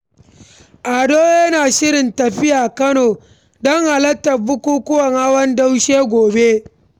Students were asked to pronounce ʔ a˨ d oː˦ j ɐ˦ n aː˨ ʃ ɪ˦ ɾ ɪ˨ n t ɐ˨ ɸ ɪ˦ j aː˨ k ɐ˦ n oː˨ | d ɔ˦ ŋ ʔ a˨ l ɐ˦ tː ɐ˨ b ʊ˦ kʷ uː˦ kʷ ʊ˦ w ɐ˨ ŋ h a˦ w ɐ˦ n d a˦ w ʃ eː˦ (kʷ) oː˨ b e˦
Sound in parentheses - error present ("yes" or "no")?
yes